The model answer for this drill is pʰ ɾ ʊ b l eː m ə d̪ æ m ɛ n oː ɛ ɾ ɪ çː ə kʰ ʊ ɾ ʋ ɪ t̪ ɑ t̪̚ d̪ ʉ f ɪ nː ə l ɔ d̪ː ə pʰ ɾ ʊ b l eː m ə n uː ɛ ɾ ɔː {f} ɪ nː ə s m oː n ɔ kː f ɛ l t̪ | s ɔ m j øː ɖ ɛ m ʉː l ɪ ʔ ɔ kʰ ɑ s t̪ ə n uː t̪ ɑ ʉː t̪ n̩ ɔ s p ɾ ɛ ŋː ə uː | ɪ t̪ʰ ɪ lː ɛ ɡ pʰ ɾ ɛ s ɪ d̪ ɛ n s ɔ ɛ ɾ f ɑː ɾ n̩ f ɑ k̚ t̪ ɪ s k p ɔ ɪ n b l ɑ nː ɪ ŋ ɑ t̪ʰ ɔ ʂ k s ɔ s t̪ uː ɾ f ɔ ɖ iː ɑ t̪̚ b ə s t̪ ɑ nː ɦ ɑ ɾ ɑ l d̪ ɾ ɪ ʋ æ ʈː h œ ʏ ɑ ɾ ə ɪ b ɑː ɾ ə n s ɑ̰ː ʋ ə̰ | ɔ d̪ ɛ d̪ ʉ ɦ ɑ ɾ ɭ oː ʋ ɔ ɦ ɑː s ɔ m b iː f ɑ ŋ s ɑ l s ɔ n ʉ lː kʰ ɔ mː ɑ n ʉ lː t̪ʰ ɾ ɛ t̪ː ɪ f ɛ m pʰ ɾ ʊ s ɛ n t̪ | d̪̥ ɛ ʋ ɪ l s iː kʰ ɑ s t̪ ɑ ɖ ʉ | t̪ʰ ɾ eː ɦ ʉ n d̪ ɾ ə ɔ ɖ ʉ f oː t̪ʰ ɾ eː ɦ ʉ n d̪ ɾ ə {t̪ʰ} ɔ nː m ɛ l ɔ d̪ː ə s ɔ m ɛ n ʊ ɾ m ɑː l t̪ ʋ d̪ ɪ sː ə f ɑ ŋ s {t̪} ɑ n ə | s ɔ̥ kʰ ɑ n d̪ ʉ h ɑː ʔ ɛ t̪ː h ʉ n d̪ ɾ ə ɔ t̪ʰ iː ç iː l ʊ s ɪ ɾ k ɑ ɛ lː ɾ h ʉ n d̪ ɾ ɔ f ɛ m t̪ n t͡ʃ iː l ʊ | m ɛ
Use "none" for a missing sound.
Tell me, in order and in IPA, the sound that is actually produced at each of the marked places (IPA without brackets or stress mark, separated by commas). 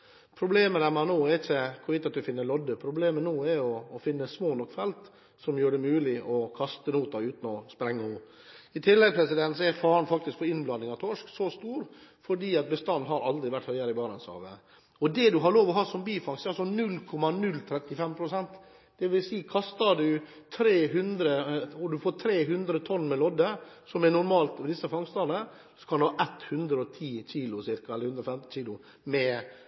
f, t̪ʰ, t̪